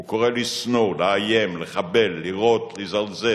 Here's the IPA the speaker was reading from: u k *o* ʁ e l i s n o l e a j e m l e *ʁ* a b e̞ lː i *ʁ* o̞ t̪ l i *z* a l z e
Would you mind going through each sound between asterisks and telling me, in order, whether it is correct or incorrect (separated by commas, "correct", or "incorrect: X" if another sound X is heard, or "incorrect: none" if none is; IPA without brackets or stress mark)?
correct, incorrect: χ, correct, correct